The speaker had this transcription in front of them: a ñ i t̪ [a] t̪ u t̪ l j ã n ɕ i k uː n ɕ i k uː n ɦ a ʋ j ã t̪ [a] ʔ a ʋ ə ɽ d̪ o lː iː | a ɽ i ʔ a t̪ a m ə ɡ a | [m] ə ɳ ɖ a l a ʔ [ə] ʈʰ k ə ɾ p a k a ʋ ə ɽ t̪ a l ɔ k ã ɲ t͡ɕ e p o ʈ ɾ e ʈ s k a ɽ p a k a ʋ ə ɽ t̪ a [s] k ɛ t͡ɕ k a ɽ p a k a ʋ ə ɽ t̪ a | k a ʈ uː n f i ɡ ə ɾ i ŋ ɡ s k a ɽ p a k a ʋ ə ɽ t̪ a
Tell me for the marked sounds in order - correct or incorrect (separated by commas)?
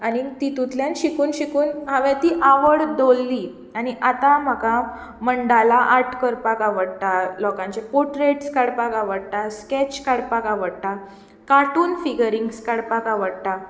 incorrect, incorrect, correct, incorrect, correct